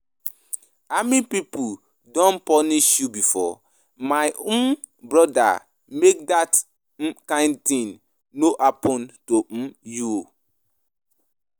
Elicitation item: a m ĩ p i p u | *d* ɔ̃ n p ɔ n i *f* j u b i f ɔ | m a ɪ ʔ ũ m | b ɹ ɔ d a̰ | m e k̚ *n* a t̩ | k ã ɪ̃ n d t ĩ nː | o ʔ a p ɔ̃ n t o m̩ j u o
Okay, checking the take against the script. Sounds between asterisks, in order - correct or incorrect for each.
correct, incorrect: ʃ, incorrect: d

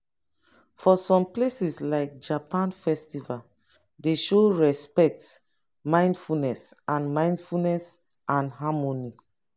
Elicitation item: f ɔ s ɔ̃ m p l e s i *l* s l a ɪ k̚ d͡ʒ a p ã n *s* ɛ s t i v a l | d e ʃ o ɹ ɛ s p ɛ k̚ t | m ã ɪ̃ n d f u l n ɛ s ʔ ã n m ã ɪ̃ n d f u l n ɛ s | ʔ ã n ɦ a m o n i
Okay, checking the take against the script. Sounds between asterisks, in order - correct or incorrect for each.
incorrect: none, incorrect: f

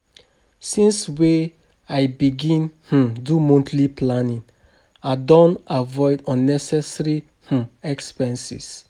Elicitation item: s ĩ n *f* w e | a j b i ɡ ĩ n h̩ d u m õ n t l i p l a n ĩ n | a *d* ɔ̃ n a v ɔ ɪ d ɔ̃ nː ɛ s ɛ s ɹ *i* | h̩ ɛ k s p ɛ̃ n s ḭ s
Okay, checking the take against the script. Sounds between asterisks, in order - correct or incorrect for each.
incorrect: s, correct, correct

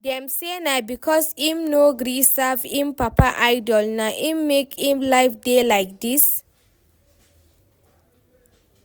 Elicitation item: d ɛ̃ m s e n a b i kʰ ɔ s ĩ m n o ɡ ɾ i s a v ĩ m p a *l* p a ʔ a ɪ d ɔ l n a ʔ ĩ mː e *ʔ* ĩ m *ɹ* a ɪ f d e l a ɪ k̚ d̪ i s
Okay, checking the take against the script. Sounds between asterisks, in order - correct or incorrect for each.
incorrect: none, incorrect: k, incorrect: l

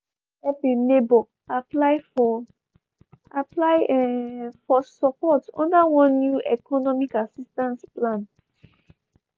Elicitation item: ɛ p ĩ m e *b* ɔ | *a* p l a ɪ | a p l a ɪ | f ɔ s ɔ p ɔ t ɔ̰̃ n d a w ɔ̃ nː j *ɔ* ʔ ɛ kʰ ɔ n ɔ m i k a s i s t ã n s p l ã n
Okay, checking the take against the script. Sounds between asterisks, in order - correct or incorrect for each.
correct, correct, incorrect: u

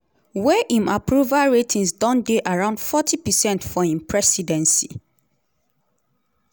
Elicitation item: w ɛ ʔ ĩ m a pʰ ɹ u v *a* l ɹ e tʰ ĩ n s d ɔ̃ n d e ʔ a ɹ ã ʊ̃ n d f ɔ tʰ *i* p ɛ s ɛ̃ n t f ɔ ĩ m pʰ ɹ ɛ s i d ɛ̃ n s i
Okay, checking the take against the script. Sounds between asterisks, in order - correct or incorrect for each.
correct, correct

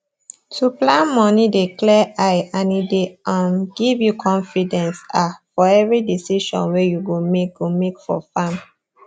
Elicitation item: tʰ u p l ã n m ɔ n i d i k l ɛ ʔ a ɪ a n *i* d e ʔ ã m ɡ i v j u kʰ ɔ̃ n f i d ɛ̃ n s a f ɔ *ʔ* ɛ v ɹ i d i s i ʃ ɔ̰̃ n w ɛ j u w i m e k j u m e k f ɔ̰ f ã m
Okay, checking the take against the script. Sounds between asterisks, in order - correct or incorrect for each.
correct, incorrect: none

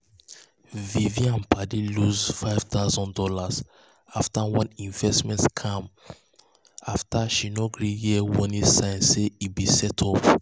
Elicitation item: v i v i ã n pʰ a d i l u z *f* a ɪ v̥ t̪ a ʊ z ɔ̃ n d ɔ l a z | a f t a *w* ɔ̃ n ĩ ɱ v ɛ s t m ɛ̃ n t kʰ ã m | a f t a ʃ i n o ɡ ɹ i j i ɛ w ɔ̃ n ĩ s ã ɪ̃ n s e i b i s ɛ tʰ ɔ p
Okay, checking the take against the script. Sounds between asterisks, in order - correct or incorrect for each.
correct, correct

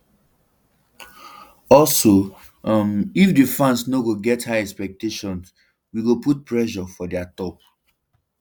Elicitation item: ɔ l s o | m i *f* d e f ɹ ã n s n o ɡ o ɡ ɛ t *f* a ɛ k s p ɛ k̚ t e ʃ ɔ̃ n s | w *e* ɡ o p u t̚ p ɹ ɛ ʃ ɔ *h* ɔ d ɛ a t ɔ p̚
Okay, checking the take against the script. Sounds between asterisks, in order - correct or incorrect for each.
correct, incorrect: h, incorrect: i, incorrect: f

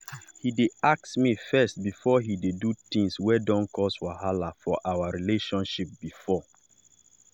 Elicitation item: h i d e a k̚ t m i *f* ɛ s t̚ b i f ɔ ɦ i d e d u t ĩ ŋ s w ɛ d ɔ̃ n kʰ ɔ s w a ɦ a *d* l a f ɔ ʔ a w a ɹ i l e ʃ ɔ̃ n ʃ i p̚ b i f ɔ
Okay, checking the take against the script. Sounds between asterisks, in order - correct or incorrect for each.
correct, incorrect: none

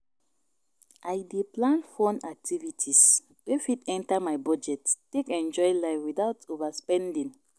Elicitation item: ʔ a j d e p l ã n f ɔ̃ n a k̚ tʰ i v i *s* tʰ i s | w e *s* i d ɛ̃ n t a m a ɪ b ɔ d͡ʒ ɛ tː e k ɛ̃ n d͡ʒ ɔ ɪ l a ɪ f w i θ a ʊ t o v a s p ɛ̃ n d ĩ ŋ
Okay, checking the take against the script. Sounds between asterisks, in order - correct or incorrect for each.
incorrect: none, incorrect: f

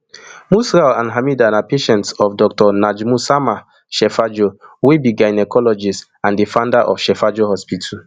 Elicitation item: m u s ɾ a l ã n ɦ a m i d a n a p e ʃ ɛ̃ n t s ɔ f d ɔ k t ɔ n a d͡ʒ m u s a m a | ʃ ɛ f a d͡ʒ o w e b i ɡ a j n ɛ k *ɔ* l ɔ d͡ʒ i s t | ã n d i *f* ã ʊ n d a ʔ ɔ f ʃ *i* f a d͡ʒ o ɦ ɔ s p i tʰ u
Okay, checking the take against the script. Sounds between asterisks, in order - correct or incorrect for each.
correct, correct, incorrect: ɛ

